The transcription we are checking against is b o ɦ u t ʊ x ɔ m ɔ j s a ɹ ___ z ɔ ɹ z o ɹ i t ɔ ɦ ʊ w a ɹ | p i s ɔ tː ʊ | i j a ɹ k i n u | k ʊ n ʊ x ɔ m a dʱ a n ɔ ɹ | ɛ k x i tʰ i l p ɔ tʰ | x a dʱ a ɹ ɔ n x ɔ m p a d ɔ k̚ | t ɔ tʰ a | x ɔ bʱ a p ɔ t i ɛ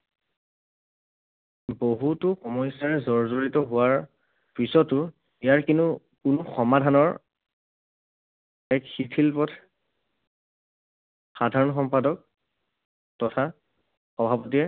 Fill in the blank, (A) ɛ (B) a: A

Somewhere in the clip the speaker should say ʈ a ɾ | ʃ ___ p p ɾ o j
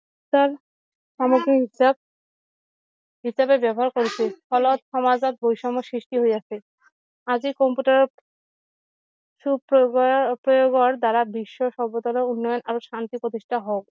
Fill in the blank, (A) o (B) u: B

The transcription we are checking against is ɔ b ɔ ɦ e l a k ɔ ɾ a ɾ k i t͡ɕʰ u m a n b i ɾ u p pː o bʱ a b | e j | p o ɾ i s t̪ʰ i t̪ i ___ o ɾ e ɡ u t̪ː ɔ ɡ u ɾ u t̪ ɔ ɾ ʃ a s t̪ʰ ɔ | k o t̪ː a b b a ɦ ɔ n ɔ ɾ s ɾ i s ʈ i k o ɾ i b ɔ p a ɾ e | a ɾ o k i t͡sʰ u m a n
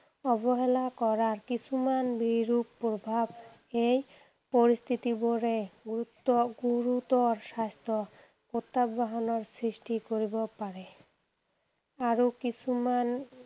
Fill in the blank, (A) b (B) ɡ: A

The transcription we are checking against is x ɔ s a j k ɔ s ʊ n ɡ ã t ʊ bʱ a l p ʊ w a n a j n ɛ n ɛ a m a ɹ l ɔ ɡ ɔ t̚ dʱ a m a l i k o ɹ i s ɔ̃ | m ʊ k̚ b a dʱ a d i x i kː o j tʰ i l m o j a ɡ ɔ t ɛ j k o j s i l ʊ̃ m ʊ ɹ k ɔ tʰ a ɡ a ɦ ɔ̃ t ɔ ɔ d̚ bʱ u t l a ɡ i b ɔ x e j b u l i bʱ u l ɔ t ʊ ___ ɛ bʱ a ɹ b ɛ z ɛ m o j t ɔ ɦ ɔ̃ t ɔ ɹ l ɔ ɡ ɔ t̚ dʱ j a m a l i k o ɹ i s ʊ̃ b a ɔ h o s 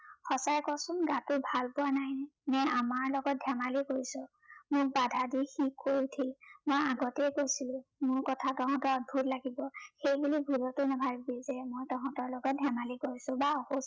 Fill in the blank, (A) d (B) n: B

